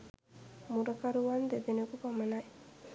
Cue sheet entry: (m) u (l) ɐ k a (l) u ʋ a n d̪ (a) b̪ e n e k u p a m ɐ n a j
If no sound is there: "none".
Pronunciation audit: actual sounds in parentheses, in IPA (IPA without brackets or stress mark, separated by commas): m, ɾ, ɾ, e